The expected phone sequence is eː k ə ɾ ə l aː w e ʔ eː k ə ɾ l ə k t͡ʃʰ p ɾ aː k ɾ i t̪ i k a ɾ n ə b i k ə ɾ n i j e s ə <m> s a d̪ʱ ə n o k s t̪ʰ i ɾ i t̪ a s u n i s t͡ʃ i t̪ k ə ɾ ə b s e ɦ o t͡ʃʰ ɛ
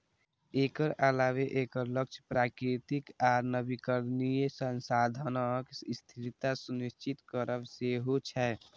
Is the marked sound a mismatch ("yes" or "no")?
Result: yes